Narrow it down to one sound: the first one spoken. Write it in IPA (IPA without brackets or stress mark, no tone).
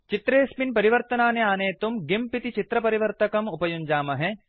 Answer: t͡ʃ